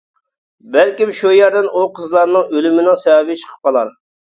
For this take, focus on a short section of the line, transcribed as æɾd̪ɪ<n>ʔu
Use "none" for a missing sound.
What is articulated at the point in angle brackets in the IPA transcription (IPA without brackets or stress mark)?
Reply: n